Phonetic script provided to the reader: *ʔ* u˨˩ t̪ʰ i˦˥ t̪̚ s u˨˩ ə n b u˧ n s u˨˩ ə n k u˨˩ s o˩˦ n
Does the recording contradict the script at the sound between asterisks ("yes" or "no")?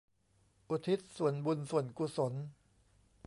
no